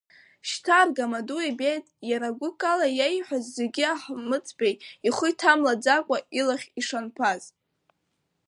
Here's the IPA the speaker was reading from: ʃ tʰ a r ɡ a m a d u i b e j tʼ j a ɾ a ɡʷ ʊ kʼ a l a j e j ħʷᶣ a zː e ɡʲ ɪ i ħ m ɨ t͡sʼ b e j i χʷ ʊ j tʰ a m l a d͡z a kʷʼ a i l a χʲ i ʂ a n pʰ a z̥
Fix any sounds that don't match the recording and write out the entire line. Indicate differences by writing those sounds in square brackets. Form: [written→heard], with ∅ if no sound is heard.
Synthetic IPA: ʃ tʰ a r ɡ a m a d u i b e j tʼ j a ɾ a ɡʷ ʊ kʼ a l a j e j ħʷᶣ a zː e ɡʲ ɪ [i→a] ħ m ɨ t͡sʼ b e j i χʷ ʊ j tʰ a m l a d͡z a kʷʼ a i l a χʲ i ʂ a n pʰ a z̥